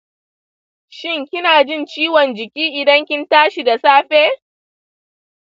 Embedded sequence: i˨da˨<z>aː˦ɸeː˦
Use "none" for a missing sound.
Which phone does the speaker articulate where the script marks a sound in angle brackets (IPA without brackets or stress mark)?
s